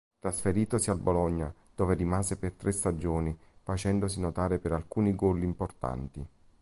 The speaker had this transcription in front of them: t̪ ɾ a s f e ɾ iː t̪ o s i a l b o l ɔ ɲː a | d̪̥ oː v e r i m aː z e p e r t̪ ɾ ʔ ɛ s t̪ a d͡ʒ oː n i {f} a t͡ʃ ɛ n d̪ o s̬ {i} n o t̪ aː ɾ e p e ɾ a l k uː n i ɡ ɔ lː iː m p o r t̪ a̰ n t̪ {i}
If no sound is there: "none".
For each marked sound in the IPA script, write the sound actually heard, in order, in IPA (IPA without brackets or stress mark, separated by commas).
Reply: f, i, i